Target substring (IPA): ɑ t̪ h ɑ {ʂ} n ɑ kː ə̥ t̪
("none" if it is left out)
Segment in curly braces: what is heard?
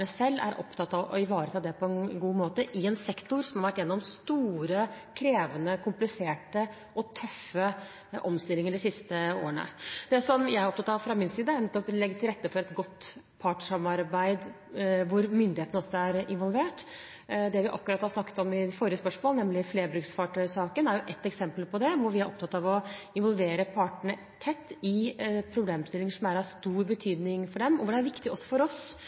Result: s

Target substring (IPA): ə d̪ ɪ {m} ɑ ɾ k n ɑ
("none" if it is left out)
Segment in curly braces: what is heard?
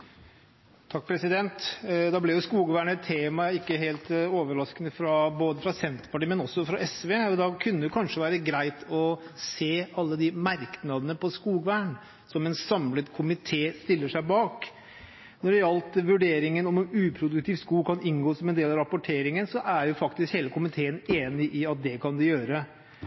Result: m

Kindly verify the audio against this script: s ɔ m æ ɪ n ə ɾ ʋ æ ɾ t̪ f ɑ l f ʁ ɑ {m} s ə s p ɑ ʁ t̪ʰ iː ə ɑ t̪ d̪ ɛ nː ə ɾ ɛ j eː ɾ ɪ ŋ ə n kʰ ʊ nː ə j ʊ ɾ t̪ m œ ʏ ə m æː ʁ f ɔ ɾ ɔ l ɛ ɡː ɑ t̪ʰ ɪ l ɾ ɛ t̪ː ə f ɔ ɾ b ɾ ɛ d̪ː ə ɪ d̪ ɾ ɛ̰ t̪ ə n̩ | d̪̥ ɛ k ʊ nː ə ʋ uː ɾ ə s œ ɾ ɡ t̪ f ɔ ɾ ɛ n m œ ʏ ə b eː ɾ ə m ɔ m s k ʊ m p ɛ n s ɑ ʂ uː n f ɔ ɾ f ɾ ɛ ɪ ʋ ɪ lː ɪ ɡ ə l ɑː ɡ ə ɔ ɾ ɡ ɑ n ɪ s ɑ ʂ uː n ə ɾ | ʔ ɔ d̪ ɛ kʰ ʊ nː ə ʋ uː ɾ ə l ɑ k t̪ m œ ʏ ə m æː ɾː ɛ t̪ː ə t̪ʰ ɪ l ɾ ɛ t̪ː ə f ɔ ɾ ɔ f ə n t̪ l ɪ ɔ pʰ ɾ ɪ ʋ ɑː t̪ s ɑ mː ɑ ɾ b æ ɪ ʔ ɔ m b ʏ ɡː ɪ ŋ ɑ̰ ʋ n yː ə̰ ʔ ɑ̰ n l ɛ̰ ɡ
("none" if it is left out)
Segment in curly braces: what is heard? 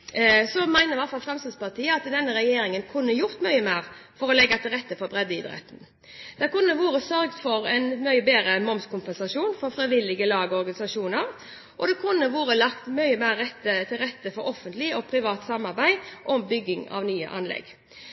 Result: m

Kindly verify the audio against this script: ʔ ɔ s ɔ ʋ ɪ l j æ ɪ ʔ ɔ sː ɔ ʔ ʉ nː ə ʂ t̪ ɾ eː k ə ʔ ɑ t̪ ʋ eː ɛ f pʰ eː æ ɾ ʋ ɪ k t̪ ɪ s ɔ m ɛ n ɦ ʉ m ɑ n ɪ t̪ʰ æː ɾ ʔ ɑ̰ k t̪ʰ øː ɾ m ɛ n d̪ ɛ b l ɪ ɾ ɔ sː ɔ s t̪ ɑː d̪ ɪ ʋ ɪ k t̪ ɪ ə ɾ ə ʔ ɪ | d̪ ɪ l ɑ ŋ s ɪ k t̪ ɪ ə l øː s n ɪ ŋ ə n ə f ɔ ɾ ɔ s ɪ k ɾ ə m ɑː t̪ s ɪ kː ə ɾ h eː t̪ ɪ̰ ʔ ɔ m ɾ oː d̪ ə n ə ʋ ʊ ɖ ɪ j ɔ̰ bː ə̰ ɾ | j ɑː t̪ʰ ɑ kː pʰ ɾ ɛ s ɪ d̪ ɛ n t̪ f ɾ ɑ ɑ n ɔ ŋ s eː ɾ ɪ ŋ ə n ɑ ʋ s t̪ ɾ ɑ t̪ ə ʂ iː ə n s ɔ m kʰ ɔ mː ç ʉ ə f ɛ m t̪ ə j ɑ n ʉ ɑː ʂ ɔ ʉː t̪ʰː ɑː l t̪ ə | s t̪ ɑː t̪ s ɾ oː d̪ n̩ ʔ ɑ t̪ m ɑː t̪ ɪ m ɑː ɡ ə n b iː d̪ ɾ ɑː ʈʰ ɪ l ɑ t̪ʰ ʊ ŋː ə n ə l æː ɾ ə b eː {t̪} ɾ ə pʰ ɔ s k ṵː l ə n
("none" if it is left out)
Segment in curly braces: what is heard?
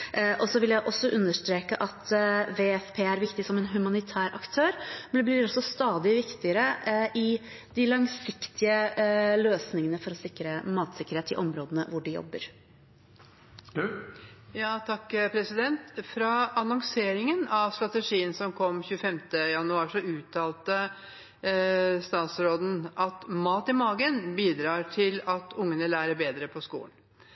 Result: d̪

